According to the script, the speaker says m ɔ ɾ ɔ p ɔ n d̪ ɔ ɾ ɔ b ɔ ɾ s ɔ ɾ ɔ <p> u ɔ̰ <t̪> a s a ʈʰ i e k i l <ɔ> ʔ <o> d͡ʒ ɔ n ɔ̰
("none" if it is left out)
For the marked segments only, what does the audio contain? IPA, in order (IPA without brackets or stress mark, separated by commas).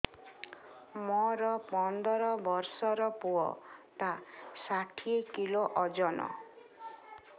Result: p, t̪, o, ɔ